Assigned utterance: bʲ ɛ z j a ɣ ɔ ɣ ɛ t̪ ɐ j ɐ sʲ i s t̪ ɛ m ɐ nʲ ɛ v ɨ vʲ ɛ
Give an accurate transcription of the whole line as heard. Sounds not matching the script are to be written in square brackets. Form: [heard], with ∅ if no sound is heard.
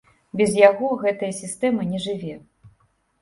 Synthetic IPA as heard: bʲ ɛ z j a ɣ ɔ ɣ ɛ t̪ ɐ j ɐ sʲ i s t̪ ɛ m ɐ nʲ ɛ [ʐ] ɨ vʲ ɛ